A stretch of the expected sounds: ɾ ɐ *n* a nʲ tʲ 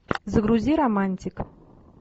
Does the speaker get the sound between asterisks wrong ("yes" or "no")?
yes